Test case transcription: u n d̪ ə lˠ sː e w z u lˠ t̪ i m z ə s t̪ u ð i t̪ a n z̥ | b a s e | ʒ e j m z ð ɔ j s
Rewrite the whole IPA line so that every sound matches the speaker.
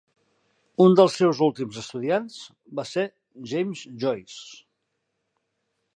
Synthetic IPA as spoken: u n d̪ ə lˠ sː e w z u lˠ t̪ i m z ə s t̪ u ð i a n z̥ | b a s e | ʒ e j m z ʒ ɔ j s